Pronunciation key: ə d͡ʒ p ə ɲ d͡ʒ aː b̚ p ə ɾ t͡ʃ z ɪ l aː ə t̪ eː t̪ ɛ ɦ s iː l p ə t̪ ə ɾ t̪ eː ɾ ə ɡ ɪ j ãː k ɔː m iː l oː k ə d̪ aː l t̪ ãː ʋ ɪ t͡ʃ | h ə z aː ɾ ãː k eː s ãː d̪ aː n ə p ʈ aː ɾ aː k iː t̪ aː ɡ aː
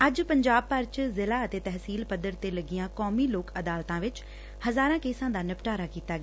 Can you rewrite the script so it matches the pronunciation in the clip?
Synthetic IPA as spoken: ə d͡ʒ p ə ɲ d͡ʒ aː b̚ p ə ɾ t͡ʃ z ɪ l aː ə t̪ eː t̪ ɛ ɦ s iː l p ə d̪ ə ɾ t̪ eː l ə ɡ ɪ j ãː k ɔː m iː l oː k ə d̪ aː l t̪ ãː ʋ ɪ t͡ʃ | h ə z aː ɾ ãː k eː s ãː d̪ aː n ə p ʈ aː ɾ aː k iː t̪ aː ɡ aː